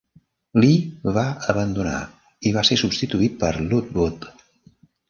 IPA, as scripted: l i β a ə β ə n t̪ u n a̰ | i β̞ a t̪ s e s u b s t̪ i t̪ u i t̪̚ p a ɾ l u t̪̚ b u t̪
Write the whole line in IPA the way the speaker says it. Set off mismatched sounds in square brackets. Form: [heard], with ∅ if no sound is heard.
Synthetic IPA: l i β a ə β ə n [d̪] u n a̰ | i β̞ a [∅] s e s u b s t̪ i t̪ u i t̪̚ p [ə] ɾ l u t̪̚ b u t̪